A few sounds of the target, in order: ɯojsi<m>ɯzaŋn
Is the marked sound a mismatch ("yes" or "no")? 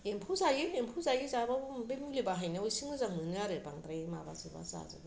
yes